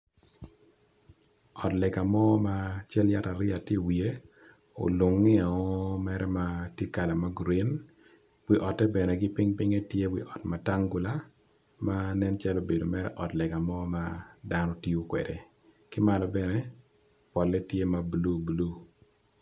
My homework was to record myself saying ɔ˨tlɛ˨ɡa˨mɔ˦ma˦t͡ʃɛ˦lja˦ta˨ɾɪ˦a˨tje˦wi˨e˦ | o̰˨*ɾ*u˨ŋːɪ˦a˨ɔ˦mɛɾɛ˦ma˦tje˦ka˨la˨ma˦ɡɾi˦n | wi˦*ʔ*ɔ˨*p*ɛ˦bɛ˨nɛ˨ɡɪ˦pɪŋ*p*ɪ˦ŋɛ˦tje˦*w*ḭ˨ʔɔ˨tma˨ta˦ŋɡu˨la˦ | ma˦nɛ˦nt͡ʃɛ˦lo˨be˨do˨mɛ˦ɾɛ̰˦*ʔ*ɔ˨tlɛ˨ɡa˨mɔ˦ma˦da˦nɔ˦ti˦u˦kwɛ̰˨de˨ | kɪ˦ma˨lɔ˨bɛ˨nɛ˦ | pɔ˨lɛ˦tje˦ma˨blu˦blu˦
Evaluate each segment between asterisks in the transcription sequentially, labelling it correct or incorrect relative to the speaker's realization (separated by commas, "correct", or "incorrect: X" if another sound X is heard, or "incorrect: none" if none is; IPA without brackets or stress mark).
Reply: incorrect: l, correct, incorrect: t, correct, correct, correct